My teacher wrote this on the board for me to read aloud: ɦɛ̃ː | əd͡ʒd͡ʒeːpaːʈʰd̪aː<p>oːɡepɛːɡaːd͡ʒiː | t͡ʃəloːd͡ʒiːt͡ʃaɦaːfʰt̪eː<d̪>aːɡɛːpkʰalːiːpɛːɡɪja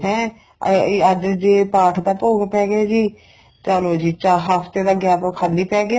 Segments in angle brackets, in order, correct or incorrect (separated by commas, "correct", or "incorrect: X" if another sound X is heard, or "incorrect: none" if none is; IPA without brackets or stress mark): correct, correct